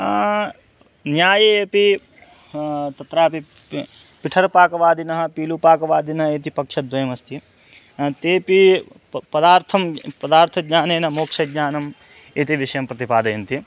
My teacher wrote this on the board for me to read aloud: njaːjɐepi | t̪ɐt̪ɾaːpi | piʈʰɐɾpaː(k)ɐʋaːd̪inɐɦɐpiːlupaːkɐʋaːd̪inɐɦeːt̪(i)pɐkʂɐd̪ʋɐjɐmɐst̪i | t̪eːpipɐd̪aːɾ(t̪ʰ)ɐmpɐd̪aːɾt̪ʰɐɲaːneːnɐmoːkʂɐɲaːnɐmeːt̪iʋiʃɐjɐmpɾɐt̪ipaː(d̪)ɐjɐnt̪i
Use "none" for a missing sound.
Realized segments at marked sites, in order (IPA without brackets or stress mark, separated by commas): k, i, t̪ʰ, d̪